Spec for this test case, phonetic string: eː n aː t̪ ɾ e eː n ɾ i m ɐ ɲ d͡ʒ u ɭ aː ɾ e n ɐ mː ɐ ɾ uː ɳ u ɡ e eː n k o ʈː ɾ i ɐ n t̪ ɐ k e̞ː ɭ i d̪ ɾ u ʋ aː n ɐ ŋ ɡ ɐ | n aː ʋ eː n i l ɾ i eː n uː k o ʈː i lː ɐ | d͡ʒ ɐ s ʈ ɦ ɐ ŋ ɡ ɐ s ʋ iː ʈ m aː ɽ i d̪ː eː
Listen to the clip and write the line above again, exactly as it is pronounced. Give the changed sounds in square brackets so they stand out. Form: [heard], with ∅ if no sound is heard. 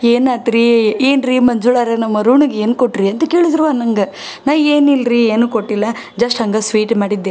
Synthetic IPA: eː n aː t̪ ɾ [i] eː n ɾ i m ɐ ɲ d͡ʒ u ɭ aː ɾ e n ɐ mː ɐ ɾ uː ɳ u ɡ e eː n k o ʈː ɾ i ɐ n t̪ ɐ k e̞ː ɭ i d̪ ɾ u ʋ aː n ɐ ŋ ɡ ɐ | n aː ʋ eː n i l ɾ i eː n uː k o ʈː i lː ɐ | d͡ʒ ɐ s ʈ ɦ ɐ ŋ ɡ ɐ s ʋ iː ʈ m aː ɽ i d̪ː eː